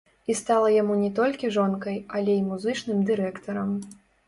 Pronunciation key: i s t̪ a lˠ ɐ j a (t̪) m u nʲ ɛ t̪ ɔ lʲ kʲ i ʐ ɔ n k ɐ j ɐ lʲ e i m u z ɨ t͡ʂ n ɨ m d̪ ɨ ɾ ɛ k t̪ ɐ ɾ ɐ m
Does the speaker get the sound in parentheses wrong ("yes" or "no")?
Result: yes